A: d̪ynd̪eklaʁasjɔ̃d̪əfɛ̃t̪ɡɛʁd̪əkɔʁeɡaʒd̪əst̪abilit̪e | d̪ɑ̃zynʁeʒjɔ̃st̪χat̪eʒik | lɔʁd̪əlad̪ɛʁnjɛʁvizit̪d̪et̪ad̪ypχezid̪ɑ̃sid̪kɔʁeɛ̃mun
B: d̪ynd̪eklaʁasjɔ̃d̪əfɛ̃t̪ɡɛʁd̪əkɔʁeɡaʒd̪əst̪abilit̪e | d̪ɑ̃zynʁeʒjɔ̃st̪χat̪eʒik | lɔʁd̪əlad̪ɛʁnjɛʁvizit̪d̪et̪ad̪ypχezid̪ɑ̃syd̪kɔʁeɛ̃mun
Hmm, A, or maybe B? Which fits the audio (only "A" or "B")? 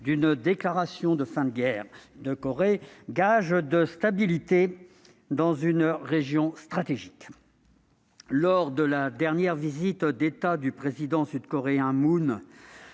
B